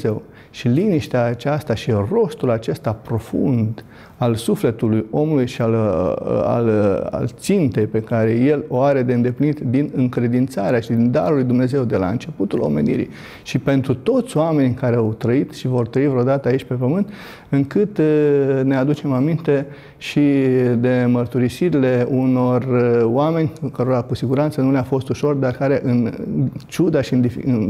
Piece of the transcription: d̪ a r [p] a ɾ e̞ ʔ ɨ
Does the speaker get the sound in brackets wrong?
yes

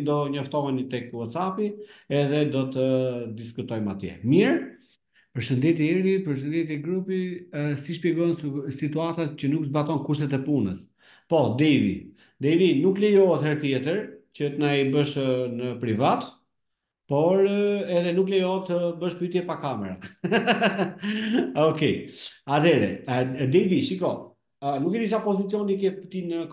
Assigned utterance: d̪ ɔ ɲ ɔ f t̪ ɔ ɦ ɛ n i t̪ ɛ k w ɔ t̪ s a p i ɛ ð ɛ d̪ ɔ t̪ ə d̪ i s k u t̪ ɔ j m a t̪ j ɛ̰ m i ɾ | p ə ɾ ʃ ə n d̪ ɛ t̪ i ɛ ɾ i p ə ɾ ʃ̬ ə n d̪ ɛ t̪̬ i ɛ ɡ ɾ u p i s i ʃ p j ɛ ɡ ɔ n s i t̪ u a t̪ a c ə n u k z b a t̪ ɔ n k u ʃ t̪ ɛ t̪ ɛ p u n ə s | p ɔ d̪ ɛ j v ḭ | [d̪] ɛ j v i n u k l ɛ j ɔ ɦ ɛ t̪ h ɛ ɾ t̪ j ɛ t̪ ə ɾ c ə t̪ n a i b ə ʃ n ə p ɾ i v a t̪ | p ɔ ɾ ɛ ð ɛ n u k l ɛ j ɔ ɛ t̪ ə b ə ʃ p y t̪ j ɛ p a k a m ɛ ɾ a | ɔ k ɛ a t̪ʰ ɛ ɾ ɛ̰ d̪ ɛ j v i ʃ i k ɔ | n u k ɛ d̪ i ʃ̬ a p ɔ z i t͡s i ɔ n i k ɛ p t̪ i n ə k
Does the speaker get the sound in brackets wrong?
no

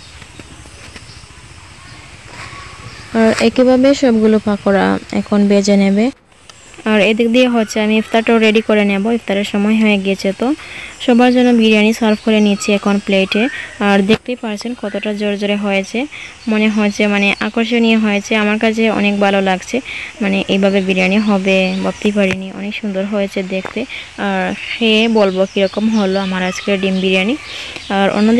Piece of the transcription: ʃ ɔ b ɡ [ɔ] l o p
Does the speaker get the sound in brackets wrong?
yes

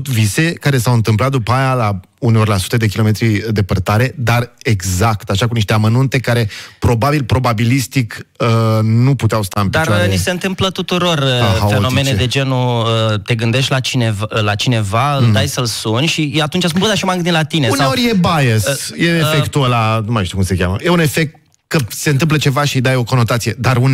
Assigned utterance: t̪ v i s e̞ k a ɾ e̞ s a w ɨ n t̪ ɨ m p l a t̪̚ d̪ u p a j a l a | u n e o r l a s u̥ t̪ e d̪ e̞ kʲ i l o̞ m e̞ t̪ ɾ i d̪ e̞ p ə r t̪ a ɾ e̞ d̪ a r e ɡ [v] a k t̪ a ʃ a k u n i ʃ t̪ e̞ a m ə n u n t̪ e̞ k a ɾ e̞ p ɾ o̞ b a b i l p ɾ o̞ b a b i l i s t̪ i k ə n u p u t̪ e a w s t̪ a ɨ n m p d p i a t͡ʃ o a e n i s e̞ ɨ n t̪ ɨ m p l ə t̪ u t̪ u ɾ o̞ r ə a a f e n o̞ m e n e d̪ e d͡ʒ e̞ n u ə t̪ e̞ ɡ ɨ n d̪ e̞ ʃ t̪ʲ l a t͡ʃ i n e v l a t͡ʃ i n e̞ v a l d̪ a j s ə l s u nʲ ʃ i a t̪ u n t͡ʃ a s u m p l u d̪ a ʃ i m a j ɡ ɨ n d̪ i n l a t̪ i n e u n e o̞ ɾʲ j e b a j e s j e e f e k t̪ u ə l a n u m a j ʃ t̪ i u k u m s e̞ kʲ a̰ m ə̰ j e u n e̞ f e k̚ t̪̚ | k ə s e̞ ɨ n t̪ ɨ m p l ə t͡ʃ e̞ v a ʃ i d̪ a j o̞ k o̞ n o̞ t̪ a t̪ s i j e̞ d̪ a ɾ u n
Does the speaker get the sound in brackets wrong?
yes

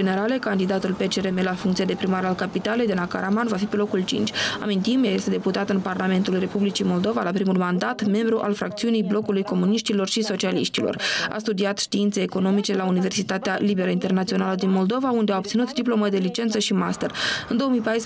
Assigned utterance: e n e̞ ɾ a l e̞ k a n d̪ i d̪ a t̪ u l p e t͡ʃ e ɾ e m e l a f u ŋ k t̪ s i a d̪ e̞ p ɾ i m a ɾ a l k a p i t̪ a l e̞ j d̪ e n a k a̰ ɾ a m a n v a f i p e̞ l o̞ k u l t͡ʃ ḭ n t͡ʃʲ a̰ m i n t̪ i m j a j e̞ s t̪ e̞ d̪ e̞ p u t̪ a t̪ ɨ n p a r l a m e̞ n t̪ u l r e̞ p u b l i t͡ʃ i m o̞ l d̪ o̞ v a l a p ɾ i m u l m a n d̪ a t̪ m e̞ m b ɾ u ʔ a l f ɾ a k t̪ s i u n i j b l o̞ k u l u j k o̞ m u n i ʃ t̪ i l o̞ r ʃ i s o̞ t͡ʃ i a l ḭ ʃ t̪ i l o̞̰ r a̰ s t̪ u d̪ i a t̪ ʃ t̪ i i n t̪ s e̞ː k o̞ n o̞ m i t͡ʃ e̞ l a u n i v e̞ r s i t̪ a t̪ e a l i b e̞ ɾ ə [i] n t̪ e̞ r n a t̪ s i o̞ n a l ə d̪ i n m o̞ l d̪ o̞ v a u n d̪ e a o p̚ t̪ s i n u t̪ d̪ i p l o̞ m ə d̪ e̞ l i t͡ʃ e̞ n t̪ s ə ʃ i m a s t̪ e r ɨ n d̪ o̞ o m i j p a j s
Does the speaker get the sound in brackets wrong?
no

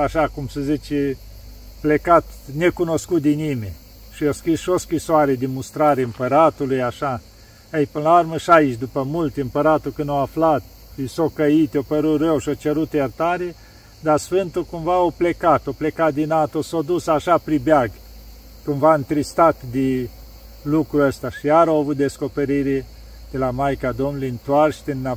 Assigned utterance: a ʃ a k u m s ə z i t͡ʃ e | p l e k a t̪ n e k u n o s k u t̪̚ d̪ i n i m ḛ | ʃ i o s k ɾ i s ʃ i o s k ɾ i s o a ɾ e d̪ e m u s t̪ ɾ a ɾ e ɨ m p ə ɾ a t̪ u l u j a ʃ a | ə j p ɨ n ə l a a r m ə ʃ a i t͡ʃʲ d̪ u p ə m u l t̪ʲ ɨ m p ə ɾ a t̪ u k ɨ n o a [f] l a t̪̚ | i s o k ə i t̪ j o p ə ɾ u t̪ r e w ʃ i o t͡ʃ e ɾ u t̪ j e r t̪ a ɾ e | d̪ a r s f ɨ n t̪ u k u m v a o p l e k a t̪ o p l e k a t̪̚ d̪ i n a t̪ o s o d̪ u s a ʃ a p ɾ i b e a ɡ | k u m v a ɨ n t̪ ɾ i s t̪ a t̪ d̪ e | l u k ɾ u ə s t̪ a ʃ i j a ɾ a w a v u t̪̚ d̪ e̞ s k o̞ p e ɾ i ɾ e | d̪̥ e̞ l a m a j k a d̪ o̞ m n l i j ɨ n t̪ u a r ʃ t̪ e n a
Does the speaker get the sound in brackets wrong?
no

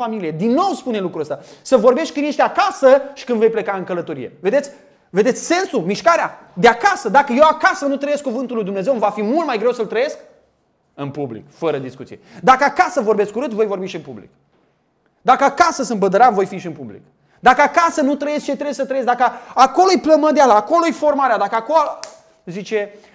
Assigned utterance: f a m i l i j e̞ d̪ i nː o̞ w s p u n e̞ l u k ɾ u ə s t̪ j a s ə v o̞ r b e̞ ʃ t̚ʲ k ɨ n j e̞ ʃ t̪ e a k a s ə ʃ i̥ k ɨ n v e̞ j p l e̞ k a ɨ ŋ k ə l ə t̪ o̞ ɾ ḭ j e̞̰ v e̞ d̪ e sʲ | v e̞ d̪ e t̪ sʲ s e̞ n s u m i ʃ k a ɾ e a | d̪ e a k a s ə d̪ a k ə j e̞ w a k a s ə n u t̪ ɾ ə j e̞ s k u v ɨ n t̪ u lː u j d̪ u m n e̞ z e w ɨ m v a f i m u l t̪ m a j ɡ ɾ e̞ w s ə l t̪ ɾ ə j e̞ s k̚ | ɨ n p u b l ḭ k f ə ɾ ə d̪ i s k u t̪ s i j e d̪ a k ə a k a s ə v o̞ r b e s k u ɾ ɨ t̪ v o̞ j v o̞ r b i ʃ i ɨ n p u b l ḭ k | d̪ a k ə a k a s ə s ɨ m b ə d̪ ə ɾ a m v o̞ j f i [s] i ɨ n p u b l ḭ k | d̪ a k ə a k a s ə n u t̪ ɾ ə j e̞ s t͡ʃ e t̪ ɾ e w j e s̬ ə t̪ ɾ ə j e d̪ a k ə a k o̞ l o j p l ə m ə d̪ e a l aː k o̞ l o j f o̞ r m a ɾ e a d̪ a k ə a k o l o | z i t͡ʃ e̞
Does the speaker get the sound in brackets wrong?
yes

